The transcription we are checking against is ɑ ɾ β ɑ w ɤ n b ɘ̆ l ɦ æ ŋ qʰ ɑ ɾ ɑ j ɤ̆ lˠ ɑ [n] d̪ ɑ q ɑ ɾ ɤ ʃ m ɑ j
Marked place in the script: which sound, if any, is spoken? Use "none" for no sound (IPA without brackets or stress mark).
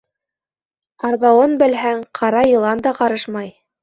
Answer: n